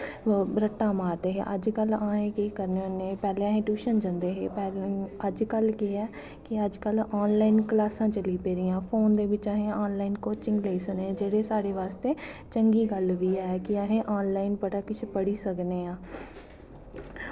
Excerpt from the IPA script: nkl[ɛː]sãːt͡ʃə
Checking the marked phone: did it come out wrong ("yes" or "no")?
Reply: yes